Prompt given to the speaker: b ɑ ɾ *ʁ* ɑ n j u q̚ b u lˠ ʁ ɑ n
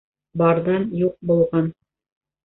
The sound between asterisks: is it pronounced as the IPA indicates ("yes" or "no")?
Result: no